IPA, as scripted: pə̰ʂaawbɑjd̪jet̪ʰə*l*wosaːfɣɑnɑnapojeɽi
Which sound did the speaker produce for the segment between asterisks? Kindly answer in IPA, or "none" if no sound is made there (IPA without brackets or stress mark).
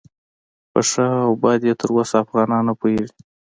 ɾ